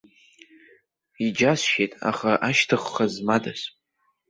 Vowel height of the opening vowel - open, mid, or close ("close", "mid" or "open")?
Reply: close